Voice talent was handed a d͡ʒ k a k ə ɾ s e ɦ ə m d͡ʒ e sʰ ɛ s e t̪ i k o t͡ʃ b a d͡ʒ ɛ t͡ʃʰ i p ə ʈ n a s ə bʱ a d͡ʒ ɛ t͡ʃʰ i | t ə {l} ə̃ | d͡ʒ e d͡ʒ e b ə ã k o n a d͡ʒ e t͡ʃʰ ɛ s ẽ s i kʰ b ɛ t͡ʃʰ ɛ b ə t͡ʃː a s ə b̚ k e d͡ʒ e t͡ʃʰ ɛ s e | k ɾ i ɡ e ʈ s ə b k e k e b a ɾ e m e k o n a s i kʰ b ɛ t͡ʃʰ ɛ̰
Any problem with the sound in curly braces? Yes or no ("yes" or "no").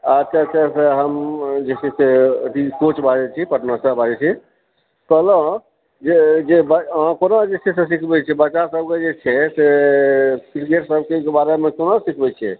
no